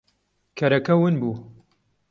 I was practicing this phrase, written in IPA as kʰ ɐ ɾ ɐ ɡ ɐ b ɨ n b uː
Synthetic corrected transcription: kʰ ɐ ɾ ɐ k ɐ w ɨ n b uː